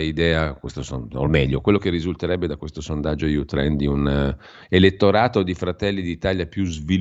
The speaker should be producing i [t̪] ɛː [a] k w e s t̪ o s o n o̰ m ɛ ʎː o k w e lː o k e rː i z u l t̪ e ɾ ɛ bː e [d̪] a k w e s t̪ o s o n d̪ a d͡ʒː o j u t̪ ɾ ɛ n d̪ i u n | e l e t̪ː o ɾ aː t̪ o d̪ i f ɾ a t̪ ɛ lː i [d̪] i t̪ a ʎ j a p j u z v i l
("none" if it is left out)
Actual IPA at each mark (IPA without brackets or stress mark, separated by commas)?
d̪, a, d̪, d̪